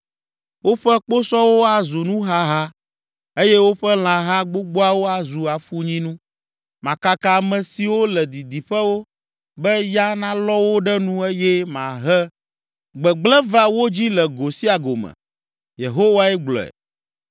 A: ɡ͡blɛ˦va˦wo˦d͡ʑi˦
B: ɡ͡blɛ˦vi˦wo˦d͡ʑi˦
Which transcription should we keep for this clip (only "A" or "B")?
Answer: A